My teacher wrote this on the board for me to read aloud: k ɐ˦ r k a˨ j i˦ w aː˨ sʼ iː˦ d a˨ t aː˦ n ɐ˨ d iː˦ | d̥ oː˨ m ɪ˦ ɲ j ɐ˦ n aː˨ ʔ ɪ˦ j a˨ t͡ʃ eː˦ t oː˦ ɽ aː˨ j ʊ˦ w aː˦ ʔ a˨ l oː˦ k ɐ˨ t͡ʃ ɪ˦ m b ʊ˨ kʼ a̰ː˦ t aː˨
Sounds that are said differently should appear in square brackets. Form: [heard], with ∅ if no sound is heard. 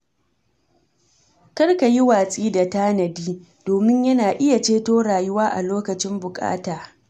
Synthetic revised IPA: k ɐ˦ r k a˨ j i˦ w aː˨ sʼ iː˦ d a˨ t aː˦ n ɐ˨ d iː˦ | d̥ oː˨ m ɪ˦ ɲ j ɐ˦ n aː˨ ʔ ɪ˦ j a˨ t͡ʃ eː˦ t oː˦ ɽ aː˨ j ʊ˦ w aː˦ ʔ a˨ l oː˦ k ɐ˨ t͡ʃ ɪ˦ m b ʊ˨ kʼ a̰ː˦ t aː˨

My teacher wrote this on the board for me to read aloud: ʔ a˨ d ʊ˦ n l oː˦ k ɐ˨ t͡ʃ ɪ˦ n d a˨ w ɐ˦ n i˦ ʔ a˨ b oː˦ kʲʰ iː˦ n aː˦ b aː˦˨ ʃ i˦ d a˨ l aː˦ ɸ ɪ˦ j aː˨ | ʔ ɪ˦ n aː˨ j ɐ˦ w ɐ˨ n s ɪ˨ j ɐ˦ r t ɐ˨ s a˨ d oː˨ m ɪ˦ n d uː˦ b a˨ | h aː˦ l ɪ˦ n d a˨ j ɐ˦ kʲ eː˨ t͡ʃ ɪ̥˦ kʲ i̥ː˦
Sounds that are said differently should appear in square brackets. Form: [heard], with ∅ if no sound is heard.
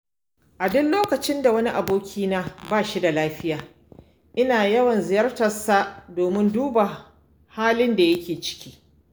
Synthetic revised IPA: ʔ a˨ d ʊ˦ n l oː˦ k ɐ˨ t͡ʃ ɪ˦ n d a˨ w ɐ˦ n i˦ ʔ a˨ b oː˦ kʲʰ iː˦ n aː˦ b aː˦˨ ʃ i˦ d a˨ l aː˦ ɸ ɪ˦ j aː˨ | ʔ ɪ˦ n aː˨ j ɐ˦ w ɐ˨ n [z] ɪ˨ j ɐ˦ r t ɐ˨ s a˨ d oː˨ m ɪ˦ n d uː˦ b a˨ | h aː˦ l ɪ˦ n d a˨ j ɐ˦ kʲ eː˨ t͡ʃ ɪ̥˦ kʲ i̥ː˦

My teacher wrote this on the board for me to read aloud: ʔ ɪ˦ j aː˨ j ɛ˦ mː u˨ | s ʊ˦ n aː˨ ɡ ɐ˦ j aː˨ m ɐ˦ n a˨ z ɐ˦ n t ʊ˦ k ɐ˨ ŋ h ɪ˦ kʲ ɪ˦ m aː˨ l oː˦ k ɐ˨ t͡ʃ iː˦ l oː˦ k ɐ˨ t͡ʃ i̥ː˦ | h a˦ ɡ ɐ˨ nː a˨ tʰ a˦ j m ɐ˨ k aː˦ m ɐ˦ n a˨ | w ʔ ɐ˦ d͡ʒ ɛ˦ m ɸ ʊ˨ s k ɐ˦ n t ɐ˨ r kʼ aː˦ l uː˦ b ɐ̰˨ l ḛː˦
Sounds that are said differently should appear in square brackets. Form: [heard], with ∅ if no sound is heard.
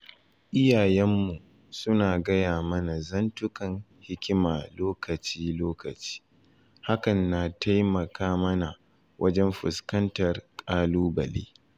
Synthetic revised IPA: ʔ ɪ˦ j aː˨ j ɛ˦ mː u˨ | s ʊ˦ n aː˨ ɡ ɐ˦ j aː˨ m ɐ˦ n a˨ z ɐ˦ n t ʊ˦ k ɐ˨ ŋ h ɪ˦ kʲ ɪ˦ m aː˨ l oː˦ k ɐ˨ t͡ʃ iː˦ l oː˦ k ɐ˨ t͡ʃ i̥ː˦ | h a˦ [k] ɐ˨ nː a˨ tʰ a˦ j m ɐ˨ k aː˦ m ɐ˦ n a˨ | w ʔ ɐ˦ d͡ʒ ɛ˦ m ɸ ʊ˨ s k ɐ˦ n t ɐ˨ r kʼ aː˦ l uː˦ b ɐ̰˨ l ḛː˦

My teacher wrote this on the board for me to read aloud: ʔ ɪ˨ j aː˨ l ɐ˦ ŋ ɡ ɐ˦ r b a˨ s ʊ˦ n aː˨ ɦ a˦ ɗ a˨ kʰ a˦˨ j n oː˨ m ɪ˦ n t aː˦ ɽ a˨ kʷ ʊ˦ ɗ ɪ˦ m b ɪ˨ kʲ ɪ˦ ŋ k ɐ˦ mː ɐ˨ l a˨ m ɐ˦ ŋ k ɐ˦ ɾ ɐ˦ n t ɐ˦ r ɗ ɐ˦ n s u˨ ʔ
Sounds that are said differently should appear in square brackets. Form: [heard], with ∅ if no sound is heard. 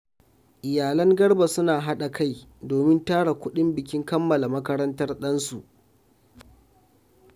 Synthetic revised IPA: ʔ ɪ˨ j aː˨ l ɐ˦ ŋ ɡ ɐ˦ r b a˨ s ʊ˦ n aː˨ ɦ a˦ ɗ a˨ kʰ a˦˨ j [d] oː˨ m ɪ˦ n t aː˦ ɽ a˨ kʷ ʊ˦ ɗ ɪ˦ m b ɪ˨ kʲ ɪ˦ ŋ k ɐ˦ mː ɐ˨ l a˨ m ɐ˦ [∅] k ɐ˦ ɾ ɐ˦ n t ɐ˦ r ɗ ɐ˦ n s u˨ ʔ

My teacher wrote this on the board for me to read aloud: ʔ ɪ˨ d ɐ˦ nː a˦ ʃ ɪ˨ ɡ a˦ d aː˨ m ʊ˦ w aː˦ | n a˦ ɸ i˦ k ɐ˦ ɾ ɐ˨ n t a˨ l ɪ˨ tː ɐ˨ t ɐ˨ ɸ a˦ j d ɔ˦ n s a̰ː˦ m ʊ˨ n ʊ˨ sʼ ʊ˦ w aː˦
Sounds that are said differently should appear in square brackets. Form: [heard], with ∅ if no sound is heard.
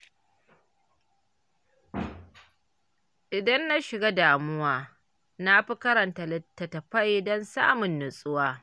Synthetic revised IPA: ʔ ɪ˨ d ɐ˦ nː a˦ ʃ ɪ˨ ɡ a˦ d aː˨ m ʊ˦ w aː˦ | n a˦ ɸ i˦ k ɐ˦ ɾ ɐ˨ n t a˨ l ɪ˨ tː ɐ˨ t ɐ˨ ɸ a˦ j d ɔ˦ n s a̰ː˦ m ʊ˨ [nː] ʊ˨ sʼ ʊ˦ w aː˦

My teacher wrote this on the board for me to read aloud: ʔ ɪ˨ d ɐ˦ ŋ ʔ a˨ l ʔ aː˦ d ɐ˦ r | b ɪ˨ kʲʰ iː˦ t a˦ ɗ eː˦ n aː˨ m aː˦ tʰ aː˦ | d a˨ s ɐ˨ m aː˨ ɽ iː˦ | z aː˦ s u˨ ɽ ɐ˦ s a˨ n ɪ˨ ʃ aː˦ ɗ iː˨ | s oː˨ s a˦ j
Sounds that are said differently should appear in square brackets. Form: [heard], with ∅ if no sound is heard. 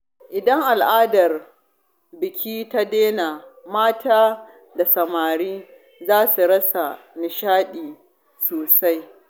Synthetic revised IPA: ʔ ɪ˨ d ɐ˦ ŋ ʔ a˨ l ʔ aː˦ d [ɐ˨] r | b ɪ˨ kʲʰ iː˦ t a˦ [d] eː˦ n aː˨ m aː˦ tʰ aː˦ | d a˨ s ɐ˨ m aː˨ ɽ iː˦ | z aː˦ s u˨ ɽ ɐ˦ s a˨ n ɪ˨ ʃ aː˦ ɗ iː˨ | s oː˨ s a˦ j

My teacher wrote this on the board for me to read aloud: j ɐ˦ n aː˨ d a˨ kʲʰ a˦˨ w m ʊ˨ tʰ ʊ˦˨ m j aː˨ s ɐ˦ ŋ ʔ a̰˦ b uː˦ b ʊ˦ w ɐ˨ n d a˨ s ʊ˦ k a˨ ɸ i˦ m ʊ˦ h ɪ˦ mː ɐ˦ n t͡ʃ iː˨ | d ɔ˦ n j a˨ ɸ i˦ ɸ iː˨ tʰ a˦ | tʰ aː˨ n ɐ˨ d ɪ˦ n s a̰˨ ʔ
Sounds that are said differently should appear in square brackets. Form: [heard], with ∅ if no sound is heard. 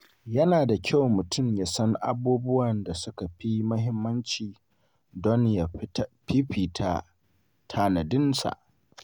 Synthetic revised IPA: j ɐ˦ n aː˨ d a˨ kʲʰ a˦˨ w m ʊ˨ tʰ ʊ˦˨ m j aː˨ s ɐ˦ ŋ ʔ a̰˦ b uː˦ b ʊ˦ w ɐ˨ n d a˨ s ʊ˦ k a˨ ɸ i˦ m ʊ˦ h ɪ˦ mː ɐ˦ n t͡ʃ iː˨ | d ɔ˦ n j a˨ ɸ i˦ ɸ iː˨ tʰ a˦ | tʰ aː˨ n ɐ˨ d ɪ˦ n s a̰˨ ʔ

